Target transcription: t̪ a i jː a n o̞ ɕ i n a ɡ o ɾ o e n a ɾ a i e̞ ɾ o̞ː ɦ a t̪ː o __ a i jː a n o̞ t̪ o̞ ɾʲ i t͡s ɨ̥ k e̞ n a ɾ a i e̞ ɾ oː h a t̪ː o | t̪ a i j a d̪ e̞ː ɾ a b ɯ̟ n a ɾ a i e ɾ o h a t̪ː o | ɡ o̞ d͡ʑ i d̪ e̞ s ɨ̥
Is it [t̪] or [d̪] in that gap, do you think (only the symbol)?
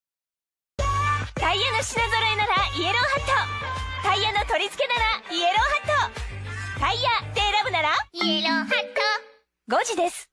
t̪